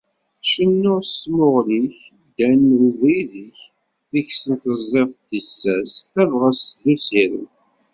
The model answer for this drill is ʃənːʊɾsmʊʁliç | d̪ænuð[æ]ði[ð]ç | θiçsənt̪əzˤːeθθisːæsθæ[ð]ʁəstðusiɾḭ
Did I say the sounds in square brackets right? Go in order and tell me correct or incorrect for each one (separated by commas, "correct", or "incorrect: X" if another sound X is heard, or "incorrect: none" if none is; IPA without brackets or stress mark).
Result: incorrect: i, incorrect: none, incorrect: v